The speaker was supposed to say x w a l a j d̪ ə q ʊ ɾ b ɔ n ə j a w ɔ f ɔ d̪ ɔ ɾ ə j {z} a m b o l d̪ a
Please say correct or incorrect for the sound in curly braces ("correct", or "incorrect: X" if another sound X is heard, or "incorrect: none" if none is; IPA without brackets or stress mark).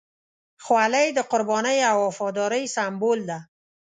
incorrect: s